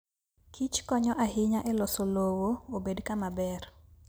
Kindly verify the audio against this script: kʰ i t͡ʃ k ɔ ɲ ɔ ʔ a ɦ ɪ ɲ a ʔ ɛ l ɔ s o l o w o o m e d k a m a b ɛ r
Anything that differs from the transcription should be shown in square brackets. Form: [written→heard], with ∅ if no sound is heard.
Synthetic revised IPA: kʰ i t͡ʃ k ɔ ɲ ɔ ʔ a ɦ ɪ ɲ a ʔ ɛ l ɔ s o l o w o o [m→b] e d k a m a b ɛ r